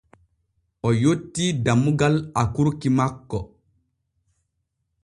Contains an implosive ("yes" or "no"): no